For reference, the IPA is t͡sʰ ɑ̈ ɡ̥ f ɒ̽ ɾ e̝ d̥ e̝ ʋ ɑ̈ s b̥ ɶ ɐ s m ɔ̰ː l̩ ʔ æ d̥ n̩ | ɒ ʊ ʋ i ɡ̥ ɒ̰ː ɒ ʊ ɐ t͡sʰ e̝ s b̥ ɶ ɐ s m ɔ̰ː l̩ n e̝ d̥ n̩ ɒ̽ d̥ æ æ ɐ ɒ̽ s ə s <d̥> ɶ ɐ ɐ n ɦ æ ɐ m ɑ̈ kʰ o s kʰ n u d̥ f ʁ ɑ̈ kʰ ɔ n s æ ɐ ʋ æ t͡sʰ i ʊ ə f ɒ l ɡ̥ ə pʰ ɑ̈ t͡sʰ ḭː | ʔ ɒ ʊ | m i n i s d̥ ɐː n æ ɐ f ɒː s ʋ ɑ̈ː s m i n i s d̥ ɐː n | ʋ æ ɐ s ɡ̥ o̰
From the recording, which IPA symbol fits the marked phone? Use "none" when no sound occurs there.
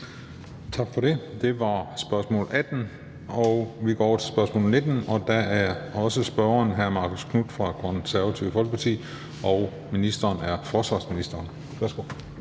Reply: b̥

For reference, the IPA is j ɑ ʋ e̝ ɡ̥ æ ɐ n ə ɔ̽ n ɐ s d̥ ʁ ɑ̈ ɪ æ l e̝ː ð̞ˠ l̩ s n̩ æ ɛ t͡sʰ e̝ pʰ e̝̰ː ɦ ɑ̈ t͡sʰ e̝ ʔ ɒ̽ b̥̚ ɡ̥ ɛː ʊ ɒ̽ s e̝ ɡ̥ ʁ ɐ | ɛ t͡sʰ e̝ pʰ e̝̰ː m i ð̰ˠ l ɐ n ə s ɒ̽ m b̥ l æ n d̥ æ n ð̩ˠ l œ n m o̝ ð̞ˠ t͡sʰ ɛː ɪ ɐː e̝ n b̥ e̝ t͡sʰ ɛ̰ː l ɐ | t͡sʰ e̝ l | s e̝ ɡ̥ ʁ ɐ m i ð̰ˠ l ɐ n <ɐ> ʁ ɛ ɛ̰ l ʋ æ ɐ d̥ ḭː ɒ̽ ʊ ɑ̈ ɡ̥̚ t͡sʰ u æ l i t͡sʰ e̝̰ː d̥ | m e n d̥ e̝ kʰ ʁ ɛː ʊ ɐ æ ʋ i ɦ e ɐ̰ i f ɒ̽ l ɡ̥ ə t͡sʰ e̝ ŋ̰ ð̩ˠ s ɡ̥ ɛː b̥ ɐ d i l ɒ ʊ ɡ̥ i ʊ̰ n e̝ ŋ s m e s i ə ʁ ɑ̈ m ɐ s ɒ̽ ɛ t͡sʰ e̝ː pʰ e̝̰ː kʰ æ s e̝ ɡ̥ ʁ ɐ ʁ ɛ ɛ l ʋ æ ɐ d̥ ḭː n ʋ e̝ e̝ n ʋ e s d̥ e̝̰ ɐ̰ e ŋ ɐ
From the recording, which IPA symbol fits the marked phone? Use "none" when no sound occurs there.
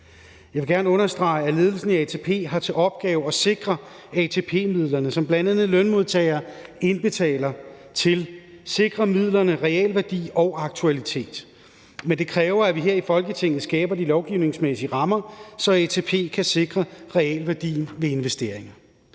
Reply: ə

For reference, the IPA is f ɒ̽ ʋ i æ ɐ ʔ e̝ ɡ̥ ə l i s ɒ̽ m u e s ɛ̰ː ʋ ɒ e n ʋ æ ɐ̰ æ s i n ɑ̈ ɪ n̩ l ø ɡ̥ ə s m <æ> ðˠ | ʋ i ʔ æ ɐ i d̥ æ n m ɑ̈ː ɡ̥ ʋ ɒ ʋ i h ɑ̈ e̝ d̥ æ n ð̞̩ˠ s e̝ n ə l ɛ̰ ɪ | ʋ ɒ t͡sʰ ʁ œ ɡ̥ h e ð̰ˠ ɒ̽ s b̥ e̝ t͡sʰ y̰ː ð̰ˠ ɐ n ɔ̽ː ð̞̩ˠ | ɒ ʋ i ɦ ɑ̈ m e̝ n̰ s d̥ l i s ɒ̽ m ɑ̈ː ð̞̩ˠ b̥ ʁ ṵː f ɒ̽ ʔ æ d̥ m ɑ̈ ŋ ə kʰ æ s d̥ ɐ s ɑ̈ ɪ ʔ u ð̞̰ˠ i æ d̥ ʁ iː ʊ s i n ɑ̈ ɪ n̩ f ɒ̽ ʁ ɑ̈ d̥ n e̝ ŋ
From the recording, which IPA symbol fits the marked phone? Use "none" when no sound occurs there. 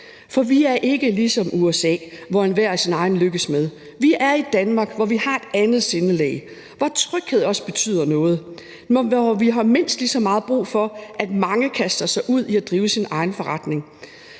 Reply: e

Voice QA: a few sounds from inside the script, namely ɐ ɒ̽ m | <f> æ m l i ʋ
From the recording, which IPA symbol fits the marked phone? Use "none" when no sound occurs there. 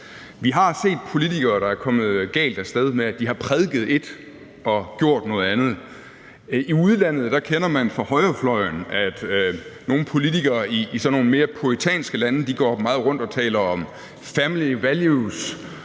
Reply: f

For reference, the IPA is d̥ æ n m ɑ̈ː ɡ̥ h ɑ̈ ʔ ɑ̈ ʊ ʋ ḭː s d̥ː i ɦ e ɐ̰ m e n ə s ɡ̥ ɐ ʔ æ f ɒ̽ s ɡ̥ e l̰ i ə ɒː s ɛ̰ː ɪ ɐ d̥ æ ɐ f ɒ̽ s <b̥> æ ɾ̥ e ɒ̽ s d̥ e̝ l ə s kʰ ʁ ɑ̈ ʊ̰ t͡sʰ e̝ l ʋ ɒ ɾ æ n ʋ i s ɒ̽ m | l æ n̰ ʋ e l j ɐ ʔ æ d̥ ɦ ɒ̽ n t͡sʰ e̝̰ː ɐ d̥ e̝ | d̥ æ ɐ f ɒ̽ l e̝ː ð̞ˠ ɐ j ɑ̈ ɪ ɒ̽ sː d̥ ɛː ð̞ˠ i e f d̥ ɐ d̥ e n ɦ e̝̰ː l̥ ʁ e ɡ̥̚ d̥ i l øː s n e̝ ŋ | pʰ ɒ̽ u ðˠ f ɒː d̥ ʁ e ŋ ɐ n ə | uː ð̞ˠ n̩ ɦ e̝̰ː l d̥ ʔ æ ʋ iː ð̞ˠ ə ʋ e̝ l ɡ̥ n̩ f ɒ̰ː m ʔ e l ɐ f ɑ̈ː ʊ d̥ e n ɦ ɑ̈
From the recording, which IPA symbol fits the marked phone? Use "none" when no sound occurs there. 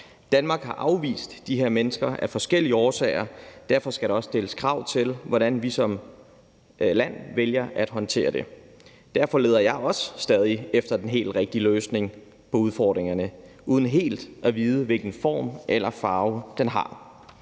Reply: ɡ̥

